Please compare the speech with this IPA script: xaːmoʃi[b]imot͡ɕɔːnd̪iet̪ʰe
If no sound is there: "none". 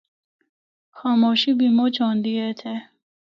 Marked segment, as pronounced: b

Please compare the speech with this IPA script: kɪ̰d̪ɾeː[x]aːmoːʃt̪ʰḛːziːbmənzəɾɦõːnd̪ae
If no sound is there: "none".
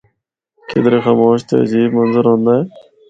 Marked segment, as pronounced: x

